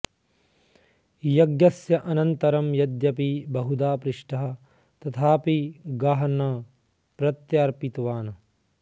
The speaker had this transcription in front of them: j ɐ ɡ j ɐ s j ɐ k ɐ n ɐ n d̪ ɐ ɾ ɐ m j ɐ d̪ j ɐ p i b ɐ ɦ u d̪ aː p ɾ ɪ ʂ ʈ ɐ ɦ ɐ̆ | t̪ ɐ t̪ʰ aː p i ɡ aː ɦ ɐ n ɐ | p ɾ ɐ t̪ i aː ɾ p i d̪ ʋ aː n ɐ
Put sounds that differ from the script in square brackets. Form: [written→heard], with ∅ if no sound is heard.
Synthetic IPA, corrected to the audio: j ɐ ɡ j ɐ s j ɐ [k→ʔ] ɐ n ɐ n [d̪→t̪] ɐ ɾ ɐ m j ɐ d̪ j ɐ p i b ɐ ɦ u d̪ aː p ɾ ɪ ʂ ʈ ɐ ɦ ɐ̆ | t̪ ɐ t̪ʰ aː p i ɡ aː ɦ ɐ n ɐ | p ɾ ɐ t̪ [i→j] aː ɾ p i [d̪→t̪] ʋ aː n ɐ